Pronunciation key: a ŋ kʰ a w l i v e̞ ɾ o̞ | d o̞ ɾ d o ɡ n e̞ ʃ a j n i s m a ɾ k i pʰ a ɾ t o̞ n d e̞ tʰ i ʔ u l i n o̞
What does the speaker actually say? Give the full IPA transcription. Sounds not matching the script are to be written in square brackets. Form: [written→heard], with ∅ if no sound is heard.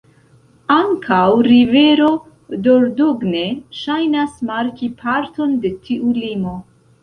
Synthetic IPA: a ŋ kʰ a w [l→ɾ] i v e̞ ɾ o̞ | d o̞ ɾ d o ɡ n e̞ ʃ a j n [i→a] s m a ɾ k i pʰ a ɾ t o̞ n d e̞ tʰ i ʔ u l i [n→m] o̞